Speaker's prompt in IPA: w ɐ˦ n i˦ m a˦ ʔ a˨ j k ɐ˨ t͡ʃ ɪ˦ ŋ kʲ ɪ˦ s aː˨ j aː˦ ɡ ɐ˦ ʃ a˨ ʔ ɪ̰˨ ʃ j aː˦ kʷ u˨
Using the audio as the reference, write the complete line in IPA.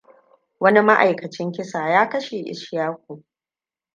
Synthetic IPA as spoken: w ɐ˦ n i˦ m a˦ ʔ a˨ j k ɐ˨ t͡ʃ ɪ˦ ŋ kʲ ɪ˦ s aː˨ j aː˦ k ɐ˦ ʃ e˨ ʔ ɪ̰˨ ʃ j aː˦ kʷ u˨